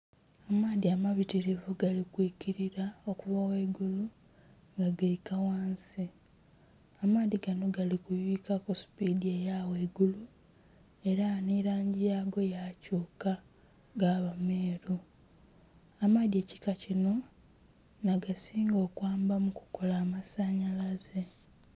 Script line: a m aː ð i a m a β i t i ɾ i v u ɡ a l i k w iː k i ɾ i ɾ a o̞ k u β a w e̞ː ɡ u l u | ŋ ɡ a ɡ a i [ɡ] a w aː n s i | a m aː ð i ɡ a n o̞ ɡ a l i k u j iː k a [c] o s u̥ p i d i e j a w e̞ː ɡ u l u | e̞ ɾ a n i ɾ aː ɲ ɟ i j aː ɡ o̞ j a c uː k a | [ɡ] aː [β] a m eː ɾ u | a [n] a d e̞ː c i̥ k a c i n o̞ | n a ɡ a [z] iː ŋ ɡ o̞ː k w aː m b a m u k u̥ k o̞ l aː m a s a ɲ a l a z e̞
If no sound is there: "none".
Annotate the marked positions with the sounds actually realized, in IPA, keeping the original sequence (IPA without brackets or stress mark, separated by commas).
k, k, ɡ, β, m, s